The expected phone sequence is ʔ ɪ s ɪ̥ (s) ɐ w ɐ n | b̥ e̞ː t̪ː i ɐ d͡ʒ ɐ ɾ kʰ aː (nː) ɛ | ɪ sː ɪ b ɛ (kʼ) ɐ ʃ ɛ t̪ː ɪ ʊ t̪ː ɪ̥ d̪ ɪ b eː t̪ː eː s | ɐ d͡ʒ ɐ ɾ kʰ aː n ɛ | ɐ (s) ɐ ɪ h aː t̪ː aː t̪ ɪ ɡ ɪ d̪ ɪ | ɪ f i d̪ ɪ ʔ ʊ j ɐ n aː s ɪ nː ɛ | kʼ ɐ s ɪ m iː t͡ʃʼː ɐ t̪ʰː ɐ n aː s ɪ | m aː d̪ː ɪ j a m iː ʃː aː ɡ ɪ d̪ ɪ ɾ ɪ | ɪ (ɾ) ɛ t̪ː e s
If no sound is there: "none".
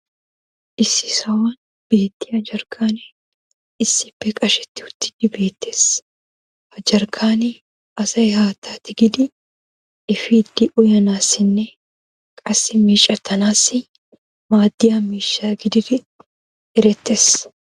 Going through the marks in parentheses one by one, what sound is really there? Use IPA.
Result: s, n, kʼ, s, ɾ

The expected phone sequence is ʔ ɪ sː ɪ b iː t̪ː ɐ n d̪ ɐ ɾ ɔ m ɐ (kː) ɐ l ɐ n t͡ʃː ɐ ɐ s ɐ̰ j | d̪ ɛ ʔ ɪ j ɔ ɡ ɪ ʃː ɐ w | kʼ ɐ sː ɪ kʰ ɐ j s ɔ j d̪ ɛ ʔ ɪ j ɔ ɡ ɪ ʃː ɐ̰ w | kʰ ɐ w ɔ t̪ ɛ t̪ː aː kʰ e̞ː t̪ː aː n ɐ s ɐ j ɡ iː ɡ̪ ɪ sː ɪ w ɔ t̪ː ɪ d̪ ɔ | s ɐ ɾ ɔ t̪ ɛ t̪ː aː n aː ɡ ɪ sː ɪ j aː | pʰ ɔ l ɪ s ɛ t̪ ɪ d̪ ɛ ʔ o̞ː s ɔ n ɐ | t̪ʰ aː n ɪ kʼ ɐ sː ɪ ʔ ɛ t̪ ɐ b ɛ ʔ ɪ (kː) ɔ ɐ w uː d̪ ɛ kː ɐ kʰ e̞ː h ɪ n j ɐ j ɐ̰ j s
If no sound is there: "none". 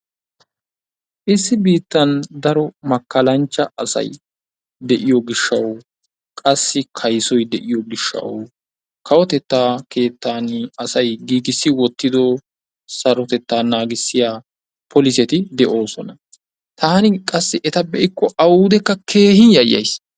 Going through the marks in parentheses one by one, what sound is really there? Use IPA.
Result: kː, kː

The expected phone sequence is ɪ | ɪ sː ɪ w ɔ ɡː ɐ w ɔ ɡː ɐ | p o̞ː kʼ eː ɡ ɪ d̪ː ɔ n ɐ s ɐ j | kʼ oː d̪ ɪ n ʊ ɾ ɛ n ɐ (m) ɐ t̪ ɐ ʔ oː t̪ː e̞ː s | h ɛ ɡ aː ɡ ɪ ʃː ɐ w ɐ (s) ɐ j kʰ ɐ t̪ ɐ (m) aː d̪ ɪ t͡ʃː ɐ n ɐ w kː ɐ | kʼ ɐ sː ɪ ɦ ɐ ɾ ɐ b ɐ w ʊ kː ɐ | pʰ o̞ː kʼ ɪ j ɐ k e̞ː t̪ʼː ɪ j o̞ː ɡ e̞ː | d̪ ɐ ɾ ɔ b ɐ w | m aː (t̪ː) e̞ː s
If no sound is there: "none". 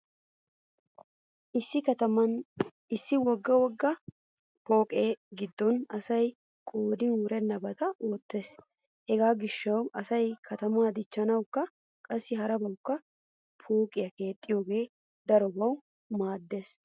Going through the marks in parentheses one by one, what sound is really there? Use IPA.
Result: b, s, m, d̪ː

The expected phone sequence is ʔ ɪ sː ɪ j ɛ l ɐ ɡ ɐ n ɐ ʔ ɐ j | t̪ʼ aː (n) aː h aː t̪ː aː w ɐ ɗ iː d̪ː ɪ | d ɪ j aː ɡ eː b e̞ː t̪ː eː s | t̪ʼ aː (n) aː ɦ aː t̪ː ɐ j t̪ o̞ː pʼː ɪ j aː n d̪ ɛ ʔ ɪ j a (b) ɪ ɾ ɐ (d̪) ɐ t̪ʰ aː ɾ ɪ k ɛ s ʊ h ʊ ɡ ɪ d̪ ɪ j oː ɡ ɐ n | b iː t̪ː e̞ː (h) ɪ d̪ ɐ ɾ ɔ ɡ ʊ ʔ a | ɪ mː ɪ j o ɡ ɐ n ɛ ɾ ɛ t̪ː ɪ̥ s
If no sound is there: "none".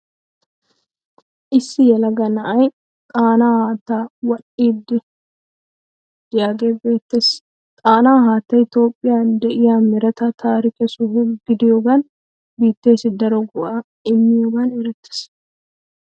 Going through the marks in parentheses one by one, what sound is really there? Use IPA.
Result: n, n, m, t̪, s

